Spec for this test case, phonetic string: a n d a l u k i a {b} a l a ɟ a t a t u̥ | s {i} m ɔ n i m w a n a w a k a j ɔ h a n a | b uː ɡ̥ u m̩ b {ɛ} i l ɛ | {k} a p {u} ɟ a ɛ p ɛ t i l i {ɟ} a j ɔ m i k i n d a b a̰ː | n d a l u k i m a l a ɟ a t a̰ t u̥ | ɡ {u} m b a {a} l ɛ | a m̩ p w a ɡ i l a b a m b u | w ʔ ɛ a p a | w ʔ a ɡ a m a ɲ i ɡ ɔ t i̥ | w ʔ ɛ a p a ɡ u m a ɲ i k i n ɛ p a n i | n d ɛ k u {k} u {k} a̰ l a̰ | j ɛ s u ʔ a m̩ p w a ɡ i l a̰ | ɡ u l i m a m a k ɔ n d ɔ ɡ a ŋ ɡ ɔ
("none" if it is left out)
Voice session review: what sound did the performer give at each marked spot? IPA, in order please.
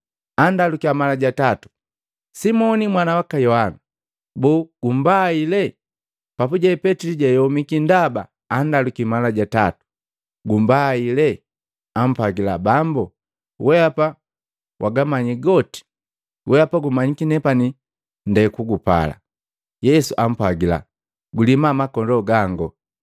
m, i, a, p, u, ɟ, u, i, ɡ, p

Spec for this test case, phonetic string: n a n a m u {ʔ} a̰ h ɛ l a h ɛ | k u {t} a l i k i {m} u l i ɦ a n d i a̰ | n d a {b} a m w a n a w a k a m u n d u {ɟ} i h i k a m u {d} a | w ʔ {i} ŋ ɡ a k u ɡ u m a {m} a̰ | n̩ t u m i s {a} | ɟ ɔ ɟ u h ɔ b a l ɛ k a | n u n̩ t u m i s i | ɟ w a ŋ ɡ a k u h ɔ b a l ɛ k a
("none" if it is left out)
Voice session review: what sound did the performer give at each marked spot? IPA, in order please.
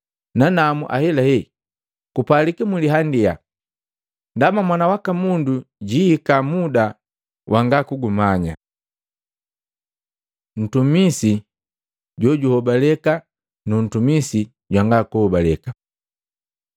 ʔ, p, m, m, ɟ, d, a, ɲ, i

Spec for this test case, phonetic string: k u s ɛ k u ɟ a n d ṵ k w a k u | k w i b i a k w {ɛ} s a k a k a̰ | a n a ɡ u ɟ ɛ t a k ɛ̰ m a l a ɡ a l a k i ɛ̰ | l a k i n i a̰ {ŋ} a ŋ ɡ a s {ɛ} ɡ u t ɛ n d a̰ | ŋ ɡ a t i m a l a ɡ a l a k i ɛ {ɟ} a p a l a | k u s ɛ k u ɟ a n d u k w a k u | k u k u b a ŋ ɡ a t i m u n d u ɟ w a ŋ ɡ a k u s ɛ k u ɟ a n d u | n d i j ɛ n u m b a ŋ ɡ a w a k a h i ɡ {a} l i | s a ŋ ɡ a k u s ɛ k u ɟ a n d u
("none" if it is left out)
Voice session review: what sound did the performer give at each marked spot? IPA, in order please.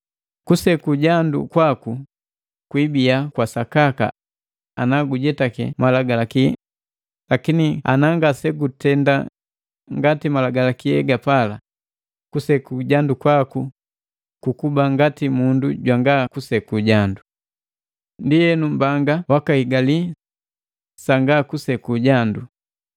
a, n, ɛ, ɡ, a

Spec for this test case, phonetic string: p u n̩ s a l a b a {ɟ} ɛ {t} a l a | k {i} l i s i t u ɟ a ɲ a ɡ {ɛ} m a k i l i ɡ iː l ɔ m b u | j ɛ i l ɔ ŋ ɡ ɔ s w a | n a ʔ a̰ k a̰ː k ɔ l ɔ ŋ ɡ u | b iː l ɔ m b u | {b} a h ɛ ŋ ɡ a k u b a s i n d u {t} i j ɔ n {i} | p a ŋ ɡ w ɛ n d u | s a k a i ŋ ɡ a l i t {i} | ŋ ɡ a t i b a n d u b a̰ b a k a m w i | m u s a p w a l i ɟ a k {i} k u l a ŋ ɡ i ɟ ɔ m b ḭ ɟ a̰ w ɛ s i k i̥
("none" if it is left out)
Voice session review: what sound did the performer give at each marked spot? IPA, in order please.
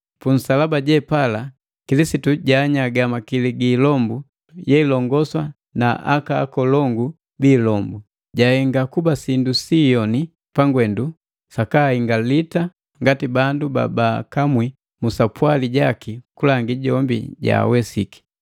ɟ, p, i, a, ɟ, s, i, a, i

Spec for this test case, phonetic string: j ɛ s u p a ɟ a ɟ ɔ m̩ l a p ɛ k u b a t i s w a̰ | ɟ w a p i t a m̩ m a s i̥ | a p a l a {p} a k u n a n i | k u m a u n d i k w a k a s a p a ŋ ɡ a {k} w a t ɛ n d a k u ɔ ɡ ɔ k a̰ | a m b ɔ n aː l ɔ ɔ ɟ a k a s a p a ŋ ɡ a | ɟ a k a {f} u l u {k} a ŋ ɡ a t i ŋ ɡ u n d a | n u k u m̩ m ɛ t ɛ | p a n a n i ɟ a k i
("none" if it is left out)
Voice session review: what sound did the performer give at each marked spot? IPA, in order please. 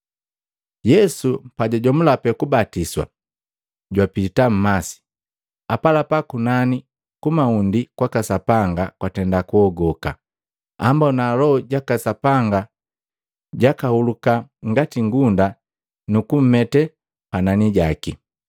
p, k, h, k

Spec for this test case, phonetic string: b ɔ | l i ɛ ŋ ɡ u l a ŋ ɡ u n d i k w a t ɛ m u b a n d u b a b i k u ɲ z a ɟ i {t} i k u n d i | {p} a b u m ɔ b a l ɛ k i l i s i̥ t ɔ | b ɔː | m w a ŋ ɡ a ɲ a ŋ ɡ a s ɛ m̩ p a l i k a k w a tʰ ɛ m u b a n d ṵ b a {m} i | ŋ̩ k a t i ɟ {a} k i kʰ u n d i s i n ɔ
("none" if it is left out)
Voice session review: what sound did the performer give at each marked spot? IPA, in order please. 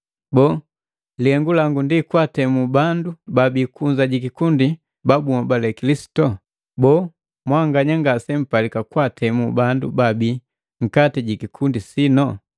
k, b, b, i

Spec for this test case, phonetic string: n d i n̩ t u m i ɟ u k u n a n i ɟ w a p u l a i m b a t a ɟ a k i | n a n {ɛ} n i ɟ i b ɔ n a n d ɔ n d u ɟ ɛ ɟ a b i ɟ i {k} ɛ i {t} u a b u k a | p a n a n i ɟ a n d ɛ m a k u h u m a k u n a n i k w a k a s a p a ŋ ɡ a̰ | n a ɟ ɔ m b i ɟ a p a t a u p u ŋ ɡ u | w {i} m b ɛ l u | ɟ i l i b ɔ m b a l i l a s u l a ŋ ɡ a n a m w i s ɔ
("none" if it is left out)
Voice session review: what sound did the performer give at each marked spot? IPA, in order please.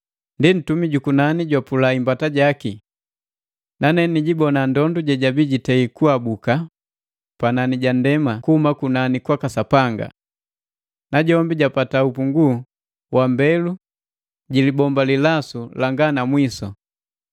ɛ, t, k, a

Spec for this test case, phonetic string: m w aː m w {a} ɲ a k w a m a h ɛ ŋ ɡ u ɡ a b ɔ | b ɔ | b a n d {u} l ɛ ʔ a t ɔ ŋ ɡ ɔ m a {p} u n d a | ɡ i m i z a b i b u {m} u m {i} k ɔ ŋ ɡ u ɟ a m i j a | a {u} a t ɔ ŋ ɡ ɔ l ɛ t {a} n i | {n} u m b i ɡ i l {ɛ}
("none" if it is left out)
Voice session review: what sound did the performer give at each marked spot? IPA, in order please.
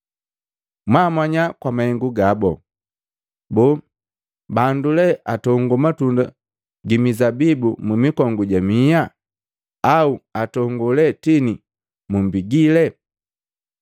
a, u, t, m, i, u, i, m, ɛ

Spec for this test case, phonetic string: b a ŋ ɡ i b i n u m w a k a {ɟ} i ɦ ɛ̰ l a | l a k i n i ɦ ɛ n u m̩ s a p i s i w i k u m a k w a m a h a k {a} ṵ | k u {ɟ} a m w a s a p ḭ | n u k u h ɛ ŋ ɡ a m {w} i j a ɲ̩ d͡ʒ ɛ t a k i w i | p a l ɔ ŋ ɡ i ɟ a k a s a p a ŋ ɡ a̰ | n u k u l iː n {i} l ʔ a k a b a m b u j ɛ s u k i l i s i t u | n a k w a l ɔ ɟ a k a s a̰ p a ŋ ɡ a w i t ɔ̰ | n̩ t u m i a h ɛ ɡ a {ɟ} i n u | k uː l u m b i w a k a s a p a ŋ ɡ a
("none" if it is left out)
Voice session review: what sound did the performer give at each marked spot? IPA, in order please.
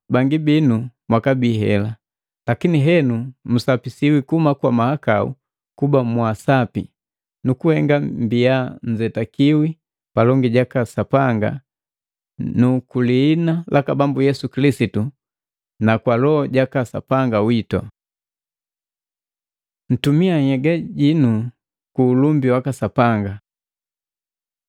b, a, b, b, a, ɟ

